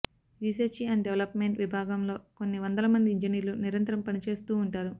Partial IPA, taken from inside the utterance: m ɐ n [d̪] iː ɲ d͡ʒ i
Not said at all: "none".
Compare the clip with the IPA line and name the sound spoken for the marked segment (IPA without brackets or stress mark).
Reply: d̪